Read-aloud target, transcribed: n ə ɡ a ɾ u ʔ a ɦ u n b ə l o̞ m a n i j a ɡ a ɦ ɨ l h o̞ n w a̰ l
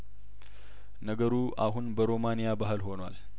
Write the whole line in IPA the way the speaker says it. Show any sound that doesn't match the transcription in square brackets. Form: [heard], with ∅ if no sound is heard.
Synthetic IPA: n ə ɡ [ə] ɾ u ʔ a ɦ u n b ə [ɾ] o̞ m a n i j a [b] a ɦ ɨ l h o̞ n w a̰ l